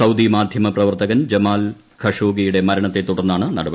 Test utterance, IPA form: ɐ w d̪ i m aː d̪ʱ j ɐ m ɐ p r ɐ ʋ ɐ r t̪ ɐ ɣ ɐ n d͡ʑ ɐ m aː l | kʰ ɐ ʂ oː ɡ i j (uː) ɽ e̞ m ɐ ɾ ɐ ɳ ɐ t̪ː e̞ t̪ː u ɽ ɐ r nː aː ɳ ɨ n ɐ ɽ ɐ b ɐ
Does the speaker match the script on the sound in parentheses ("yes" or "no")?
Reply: no